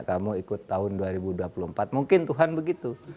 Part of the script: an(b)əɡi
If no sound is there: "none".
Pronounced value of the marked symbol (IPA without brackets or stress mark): b